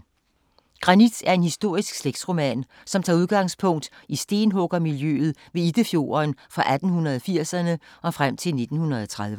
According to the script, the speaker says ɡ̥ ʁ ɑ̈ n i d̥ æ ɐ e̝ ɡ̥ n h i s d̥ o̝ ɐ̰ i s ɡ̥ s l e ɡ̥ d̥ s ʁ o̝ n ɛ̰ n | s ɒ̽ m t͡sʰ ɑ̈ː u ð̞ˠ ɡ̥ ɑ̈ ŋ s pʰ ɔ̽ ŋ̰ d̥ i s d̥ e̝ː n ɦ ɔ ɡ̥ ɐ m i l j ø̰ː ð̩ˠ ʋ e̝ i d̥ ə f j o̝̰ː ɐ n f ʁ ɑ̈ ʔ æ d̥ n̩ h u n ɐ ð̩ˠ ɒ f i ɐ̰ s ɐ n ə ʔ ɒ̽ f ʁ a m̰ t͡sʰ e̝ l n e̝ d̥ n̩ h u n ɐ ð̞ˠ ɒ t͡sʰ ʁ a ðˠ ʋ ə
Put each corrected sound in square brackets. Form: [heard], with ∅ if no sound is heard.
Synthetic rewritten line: ɡ̥ ʁ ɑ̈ n i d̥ æ ɐ e̝ [∅] n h i s d̥ o̝ ɐ̰ i s ɡ̥ s l e ɡ̥ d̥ s ʁ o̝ [m] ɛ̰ n | s ɒ̽ m t͡sʰ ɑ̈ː u ð̞ˠ ɡ̥ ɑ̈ ŋ s pʰ ɔ̽ ŋ̰ d̥ i s d̥ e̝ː n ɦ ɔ ɡ̥ ɐ m i l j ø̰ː ð̩ˠ ʋ e̝ i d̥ ə f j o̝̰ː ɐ n f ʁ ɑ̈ ʔ æ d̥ n̩ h u n ɐ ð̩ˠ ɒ f i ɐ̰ s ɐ n ə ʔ ɒ̽ f ʁ a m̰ t͡sʰ e̝ l n e̝ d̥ n̩ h u n ɐ ð̞ˠ ɒ t͡sʰ ʁ a ðˠ ʋ ə